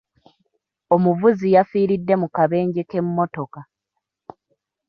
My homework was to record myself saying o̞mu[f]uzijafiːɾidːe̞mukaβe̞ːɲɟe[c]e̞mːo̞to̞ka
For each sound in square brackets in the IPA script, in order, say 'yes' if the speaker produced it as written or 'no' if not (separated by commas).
no, no